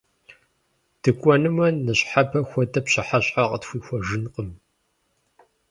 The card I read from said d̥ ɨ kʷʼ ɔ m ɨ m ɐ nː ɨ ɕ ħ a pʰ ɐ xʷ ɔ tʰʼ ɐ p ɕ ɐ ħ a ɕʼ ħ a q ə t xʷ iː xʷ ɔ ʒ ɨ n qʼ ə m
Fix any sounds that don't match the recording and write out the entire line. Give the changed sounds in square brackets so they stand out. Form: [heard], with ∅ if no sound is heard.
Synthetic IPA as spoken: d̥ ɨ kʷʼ ɔ [n] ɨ m ɐ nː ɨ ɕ ħ a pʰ ɐ xʷ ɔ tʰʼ ɐ p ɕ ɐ ħ a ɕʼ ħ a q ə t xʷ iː xʷ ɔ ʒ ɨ n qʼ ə m